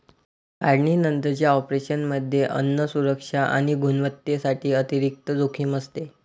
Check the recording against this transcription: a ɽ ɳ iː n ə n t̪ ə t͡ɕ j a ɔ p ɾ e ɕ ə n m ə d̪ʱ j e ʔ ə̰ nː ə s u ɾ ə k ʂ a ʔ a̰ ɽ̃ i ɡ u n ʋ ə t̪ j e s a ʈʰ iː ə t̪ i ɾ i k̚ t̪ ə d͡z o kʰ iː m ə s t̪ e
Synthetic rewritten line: a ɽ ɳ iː n ə n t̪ ə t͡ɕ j a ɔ p ɾ e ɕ ə n m ə d̪ʱ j e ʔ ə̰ nː ə s u ɾ ə k ʂ a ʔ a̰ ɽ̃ i ɡ u n ʋ ə t̪ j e s a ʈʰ iː ə t̪ i ɾ i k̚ t̪ ə d͡z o kʰ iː m ə s t̪ e